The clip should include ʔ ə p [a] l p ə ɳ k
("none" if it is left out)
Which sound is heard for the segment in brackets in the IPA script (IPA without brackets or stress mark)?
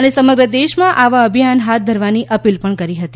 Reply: i